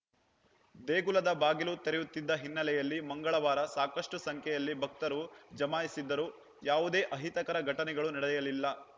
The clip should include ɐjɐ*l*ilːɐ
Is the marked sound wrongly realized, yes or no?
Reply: no